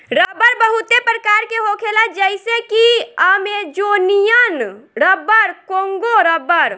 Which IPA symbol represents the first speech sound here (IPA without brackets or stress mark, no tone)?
ɾ